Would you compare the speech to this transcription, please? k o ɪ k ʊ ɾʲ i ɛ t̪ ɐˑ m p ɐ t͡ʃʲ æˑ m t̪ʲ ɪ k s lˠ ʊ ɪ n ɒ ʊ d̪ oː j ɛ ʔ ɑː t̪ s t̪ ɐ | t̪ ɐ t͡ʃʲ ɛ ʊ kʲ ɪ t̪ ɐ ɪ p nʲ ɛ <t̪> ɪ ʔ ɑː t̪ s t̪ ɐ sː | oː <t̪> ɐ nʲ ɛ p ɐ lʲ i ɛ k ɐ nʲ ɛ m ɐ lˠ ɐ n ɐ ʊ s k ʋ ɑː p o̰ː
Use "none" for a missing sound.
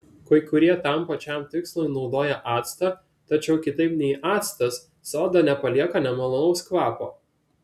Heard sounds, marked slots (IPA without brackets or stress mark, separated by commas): none, d̪